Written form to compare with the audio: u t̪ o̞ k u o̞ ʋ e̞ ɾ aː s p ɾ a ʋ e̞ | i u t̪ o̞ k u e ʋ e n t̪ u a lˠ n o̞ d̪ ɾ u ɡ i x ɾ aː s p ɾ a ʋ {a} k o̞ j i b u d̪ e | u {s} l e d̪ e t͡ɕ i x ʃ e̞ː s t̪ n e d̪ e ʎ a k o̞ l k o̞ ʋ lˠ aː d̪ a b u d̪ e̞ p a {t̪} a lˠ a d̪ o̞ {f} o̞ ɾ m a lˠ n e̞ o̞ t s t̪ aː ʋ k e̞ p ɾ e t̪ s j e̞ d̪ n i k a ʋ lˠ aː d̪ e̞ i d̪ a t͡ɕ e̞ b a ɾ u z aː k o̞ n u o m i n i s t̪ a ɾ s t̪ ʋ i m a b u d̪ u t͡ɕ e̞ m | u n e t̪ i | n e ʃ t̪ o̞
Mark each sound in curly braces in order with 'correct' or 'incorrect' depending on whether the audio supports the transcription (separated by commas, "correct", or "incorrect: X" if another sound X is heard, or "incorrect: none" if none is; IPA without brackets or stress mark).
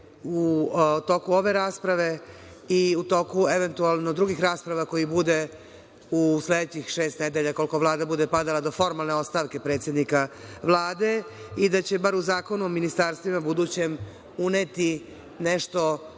correct, correct, incorrect: d̪, correct